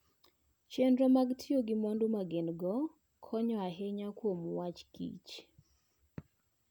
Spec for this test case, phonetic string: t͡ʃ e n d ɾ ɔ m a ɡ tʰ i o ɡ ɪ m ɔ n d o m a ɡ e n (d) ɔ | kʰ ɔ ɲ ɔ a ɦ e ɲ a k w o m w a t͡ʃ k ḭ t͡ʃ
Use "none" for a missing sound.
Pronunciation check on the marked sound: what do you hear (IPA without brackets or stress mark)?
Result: ɡ